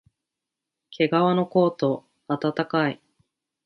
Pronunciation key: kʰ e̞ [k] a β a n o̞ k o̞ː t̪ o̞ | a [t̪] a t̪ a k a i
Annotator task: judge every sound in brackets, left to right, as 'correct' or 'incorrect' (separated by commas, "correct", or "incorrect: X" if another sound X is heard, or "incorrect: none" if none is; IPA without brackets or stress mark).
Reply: incorrect: ɡ, correct